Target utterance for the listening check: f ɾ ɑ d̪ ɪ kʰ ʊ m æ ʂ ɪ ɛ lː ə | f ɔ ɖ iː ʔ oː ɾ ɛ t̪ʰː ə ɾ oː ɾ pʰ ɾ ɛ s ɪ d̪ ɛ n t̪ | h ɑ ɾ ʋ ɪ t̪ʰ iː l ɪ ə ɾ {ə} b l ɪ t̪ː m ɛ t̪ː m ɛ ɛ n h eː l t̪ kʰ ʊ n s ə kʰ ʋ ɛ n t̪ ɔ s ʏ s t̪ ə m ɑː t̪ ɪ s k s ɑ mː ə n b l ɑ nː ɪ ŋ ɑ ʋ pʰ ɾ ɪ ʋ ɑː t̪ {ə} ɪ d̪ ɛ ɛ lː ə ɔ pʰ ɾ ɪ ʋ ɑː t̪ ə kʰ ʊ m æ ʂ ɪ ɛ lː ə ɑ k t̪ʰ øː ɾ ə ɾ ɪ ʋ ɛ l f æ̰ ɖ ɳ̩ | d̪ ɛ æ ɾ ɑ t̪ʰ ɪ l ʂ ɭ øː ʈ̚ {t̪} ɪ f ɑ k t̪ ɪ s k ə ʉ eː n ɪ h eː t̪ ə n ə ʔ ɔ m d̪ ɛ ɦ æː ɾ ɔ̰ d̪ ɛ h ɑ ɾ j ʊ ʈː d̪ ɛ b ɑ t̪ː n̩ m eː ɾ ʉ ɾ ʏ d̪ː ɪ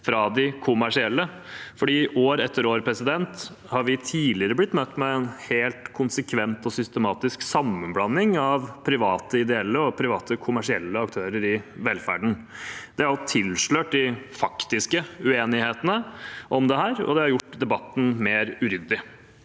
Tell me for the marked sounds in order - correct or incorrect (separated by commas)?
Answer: correct, correct, incorrect